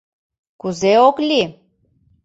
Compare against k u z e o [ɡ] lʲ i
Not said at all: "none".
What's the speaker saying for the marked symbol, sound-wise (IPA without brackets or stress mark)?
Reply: k